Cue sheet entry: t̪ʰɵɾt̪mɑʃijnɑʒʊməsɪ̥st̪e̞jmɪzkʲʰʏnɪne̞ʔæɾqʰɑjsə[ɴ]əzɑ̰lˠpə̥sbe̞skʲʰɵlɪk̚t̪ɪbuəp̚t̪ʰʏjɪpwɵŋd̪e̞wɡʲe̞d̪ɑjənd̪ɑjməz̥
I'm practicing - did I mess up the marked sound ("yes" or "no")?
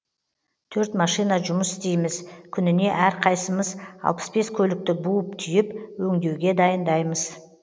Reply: yes